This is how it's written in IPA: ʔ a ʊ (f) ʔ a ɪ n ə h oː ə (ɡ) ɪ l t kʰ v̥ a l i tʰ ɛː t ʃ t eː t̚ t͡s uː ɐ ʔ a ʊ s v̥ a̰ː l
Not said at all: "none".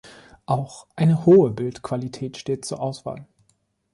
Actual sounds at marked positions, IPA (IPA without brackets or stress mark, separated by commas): x, b